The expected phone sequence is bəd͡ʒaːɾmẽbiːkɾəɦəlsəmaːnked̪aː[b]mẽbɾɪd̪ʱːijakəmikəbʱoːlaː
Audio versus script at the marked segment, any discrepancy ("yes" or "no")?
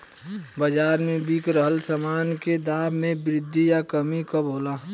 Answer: no